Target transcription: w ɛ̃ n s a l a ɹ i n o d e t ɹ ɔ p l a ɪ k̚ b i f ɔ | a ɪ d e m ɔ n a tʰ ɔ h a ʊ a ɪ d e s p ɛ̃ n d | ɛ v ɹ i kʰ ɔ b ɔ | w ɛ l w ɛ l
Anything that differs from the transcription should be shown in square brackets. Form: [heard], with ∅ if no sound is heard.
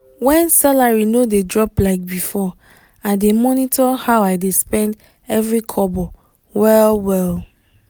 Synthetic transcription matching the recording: w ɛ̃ n s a l a ɹ i n o d e [d] ɹ ɔ p l a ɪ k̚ b i f ɔ | a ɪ d e m ɔ n [i] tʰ ɔ h a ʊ a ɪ d e s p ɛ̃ n d | ɛ v ɹ i kʰ ɔ b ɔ | w ɛ l w ɛ l